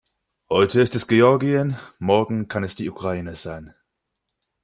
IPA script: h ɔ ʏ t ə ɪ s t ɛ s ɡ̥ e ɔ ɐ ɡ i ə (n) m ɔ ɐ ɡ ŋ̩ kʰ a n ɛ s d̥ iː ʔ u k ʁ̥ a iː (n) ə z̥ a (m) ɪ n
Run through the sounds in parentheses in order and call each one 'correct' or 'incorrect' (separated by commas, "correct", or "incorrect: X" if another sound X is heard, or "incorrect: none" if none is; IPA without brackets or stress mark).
correct, correct, incorrect: none